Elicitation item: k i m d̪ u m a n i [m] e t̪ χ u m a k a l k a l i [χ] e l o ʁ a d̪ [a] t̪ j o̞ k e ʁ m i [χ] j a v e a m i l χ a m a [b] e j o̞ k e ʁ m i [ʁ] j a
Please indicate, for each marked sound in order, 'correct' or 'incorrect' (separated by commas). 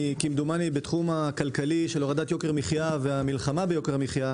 incorrect, incorrect, correct, correct, correct, incorrect